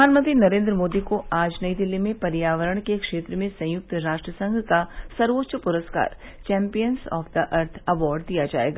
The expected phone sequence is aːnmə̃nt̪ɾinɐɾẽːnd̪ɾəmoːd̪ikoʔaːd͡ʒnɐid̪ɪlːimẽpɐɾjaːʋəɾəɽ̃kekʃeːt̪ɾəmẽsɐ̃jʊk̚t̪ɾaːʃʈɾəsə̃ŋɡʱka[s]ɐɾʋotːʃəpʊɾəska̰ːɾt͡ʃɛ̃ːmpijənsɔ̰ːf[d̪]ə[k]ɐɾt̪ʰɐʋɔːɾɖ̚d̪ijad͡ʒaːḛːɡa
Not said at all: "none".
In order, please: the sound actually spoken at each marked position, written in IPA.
s, d̪, ʔ

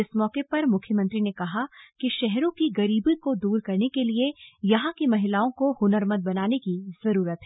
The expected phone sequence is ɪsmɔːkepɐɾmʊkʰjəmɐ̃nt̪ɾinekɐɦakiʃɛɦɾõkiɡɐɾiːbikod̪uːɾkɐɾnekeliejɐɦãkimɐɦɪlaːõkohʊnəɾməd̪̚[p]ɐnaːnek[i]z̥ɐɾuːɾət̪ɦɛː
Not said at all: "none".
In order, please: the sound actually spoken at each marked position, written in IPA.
b, i

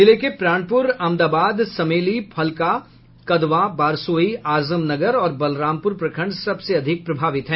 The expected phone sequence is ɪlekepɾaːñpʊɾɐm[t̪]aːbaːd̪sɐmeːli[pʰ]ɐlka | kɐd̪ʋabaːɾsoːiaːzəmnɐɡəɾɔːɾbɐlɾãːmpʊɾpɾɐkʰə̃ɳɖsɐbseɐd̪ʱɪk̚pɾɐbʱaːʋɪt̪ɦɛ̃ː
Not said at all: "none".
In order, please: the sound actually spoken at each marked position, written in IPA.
d̪, pʰ

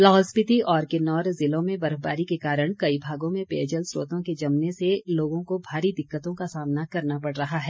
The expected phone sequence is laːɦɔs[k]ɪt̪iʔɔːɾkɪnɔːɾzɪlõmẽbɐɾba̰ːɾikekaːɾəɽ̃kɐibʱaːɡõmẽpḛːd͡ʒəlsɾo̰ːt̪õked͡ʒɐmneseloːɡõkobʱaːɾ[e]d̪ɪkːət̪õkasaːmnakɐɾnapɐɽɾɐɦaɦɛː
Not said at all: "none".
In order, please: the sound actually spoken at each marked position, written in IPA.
p, i

